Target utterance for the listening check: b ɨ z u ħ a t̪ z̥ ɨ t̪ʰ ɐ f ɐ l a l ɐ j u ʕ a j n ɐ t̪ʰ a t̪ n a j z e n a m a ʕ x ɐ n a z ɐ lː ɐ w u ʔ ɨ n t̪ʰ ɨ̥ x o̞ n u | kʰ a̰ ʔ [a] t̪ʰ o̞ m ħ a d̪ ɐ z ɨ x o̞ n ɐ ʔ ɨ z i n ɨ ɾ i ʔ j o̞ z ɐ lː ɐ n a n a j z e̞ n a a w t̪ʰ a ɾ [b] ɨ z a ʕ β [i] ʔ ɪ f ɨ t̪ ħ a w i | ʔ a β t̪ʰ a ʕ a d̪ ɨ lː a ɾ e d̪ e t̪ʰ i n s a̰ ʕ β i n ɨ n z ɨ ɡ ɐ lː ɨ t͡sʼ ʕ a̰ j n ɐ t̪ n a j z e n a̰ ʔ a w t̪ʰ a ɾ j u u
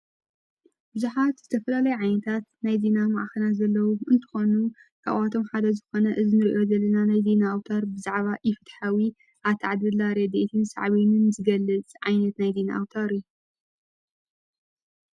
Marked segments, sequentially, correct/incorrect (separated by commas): correct, correct, incorrect